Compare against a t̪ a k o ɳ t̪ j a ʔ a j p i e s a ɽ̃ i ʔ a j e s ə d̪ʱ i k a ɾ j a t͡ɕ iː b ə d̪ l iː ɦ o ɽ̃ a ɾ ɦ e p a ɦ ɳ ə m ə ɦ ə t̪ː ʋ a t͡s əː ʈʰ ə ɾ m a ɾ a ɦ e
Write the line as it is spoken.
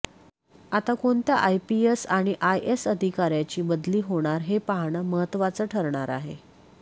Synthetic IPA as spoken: a t̪ a k o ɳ t̪ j a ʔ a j p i e s a ɽ̃ i ʔ a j e s ə d̪ʱ i k a ɾ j a t͡ɕ iː b ə d̪ l iː ɦ o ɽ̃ a ɾ ɦ e p a ɦ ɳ ə m ə ɦ ə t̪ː ʋ a t͡s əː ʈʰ ə ɾ ɳ a ɾ a ɦ e